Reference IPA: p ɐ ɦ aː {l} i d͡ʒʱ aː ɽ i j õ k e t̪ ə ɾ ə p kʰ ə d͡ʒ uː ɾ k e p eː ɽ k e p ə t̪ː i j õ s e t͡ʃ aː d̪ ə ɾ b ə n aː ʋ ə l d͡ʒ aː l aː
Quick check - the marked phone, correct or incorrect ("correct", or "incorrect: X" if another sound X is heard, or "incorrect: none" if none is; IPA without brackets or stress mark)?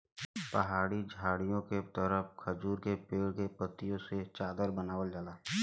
incorrect: ɽ